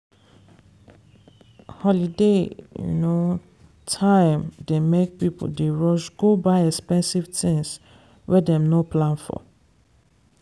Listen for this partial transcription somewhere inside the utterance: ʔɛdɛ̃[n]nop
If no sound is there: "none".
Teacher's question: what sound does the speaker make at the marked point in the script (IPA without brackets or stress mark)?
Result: m